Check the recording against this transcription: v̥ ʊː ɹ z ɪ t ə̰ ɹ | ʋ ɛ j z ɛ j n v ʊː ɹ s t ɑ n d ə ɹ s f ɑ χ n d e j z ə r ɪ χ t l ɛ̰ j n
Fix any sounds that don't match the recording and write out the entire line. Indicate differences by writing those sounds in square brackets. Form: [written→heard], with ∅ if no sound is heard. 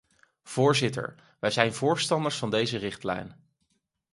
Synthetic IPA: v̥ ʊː ɹ z ɪ t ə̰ ɹ | ʋ ɛ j z ɛ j n v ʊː ɹ s t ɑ n d ə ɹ s f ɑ [χ→∅] n d e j z ə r ɪ χ t l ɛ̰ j n